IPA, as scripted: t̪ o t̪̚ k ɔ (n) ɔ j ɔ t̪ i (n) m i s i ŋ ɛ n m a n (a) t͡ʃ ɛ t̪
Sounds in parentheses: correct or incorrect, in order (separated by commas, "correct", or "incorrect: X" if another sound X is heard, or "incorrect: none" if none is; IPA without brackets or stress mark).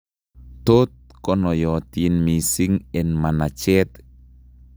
correct, correct, correct